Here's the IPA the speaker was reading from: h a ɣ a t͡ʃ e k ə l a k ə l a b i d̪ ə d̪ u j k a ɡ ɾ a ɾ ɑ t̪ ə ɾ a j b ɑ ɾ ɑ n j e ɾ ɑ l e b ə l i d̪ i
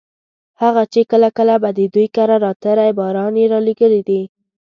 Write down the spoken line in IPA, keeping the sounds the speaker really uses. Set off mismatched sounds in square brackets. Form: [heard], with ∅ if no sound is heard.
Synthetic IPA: h a ɣ a t͡ʃ e k ə l a k ə l a b [a] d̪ ə d̪ u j k a [∅] ɾ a ɾ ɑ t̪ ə ɾ a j b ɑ ɾ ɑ n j e ɾ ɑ l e [ɡ] ə l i d̪ i